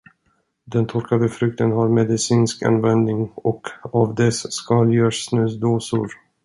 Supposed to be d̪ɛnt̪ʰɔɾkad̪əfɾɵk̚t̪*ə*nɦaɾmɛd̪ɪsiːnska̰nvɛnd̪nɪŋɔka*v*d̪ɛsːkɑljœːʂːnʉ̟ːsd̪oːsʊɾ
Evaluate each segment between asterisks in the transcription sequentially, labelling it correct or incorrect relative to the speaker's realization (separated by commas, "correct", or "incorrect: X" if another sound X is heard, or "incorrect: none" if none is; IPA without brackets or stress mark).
correct, correct